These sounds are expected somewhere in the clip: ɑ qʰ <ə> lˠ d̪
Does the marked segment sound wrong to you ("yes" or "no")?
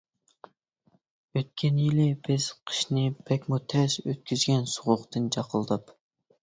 no